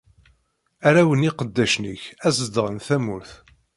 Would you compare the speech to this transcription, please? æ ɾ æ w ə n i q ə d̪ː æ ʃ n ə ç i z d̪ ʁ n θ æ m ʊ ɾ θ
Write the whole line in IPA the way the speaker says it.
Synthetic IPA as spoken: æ ɾ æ w ə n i q ə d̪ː æ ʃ n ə ç æ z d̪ ʁ n θ æ m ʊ ɾ θ